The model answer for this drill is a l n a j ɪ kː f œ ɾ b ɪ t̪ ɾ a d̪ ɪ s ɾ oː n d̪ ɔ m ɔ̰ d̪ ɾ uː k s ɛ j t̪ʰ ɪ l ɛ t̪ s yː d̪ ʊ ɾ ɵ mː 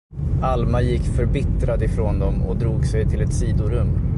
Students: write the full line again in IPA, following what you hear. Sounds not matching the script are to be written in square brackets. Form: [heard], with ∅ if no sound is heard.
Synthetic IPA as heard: a l [m] a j ɪ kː f œ ɾ b ɪ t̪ ɾ a d̪ ɪ [f] ɾ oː n d̪ ɔ m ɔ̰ d̪ ɾ uː [ɡ] s ɛ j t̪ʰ ɪ l ɛ t̪ s [iː] d̪ ʊ ɾ ɵ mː